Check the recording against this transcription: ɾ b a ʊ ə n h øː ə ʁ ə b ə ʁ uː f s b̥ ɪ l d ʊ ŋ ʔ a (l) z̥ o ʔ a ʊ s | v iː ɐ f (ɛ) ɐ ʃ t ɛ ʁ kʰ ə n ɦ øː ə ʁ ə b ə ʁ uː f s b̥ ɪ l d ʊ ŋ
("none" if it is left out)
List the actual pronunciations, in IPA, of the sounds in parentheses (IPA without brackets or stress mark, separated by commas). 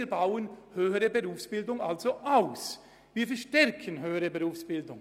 l, ɛ